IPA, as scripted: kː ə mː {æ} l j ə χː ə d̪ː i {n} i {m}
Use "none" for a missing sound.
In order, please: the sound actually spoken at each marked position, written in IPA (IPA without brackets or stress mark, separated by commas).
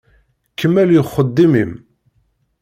æ, m, m